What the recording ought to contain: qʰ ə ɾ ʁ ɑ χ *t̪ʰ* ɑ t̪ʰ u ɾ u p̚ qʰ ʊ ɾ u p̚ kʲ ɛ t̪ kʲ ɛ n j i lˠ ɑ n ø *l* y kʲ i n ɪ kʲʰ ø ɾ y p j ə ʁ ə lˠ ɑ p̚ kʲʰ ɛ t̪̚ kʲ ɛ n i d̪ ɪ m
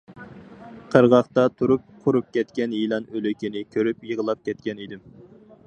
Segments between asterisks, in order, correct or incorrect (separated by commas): incorrect, correct